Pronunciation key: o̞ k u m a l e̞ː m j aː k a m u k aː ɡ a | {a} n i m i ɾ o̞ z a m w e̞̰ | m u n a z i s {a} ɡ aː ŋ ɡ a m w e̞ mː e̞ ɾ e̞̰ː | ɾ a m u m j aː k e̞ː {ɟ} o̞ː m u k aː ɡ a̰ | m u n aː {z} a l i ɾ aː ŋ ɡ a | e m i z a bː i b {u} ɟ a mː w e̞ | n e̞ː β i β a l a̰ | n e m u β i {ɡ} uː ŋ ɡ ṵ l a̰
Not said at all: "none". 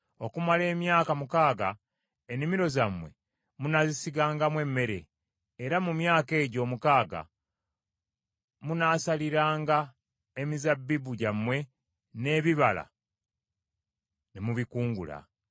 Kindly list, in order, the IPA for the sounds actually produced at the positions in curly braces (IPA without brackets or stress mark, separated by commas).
e, i, ɟ, s, u, k